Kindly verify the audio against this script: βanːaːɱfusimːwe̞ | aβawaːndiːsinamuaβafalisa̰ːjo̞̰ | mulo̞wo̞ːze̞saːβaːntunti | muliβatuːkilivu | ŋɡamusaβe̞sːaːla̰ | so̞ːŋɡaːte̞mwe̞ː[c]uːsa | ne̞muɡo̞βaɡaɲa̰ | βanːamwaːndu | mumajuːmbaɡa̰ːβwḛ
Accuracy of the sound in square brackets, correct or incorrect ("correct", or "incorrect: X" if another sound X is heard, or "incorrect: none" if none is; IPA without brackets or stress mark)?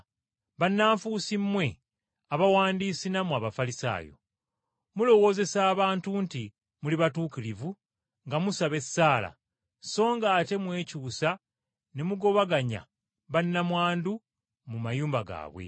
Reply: correct